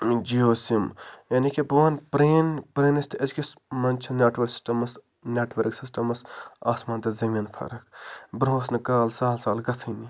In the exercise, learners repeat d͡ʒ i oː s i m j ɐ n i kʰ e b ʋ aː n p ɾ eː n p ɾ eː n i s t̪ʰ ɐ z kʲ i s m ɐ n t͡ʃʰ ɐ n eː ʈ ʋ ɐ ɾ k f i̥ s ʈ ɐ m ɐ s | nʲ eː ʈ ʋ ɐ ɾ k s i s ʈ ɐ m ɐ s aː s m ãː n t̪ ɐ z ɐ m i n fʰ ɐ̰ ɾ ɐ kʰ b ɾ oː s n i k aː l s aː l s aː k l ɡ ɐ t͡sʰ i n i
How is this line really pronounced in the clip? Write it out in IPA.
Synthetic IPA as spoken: d͡ʒ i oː s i m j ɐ n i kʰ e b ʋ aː n p ɾ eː n p ɾ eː n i s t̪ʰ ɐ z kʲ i s m ɐ n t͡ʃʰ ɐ n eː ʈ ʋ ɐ ɾ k s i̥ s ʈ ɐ m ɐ s | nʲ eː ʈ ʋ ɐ ɾ k s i s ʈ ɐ m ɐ s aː s m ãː n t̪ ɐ z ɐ m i n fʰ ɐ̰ ɾ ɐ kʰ b ɾ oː s n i k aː l s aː l s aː l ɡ ɐ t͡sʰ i n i